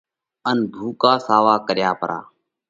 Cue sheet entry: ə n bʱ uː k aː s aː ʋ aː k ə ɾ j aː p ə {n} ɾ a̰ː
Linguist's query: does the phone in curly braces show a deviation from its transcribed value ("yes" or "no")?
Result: yes